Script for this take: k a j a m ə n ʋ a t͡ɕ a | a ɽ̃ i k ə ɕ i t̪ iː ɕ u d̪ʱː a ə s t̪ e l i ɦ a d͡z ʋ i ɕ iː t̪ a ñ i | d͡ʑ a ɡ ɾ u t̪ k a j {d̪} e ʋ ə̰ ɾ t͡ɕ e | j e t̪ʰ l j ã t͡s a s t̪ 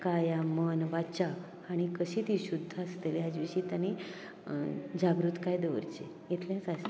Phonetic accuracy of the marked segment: correct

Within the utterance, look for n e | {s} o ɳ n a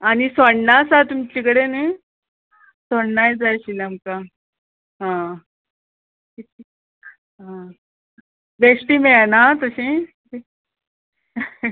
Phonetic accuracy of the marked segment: correct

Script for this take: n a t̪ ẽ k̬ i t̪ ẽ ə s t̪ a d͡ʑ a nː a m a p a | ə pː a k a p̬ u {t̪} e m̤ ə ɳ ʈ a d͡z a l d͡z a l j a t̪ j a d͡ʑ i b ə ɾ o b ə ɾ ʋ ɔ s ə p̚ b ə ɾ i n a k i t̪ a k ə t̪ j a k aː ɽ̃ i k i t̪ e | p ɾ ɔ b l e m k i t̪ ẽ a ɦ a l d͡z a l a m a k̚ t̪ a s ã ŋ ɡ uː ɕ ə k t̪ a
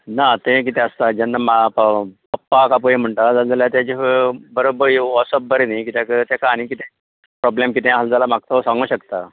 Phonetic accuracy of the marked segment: incorrect: none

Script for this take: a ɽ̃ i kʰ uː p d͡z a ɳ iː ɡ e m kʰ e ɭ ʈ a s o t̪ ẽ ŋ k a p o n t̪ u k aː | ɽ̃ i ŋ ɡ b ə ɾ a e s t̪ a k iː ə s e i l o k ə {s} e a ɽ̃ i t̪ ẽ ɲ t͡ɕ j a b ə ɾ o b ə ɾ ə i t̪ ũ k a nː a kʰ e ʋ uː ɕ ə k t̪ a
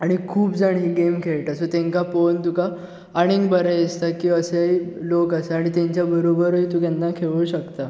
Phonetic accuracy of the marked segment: correct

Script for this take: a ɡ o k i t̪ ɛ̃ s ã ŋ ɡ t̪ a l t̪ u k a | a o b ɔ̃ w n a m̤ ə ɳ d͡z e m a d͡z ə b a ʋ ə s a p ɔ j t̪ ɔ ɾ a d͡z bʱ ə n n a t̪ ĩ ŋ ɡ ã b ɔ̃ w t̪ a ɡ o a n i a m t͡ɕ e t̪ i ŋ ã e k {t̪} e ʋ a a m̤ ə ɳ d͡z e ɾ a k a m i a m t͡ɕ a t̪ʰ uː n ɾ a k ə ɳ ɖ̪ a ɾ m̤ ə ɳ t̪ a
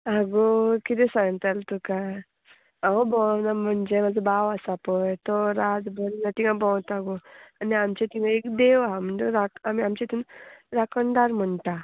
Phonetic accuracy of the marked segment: incorrect: d̪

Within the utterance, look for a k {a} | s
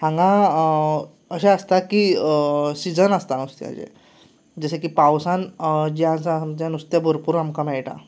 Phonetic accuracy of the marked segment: incorrect: i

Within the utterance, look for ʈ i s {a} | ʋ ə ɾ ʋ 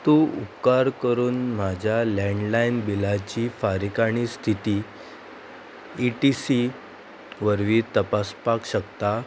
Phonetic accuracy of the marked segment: incorrect: i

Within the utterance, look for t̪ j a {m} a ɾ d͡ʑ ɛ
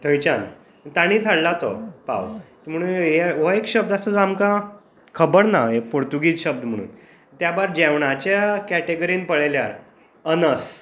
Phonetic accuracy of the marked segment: incorrect: b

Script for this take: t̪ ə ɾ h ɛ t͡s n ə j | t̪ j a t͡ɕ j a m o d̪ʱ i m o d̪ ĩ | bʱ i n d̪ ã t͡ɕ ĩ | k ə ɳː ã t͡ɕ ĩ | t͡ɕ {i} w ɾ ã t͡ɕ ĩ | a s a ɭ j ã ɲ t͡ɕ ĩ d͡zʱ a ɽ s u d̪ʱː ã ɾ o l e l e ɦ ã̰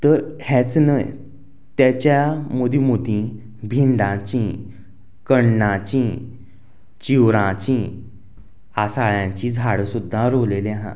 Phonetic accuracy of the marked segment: correct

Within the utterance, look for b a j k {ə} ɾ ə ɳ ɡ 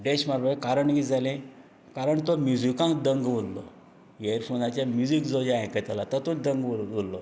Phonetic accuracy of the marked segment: incorrect: a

